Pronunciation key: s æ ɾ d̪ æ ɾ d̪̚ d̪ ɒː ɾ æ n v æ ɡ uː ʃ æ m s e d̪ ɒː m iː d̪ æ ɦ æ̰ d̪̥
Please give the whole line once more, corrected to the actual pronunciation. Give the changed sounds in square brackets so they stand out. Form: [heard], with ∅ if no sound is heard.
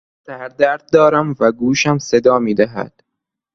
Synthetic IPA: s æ ɾ d̪ æ ɾ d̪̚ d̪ ɒː ɾ æ [m] v æ ɡ uː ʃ æ m s e d̪ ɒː m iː d̪ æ ɦ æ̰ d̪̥